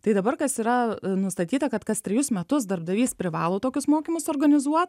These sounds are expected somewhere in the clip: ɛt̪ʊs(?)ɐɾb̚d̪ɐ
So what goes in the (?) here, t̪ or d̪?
d̪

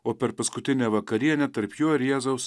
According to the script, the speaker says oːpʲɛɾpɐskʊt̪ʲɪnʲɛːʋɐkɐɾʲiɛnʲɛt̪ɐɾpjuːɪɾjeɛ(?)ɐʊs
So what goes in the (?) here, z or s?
z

